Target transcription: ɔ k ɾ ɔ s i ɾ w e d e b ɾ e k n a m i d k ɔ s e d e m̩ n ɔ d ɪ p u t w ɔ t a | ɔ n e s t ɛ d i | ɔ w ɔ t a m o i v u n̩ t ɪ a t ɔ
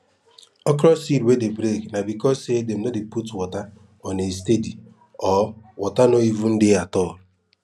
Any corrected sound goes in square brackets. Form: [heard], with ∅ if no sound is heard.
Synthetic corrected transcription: ɔ k ɾ ɔ s i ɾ w e d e b ɾ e k n a [b] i [∅] k ɔ s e d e m̩ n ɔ d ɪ p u t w ɔ t a | ɔ n e s t [e] d i | ɔ w ɔ t a [n] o i v u n̩ [d] ɪ a t ɔ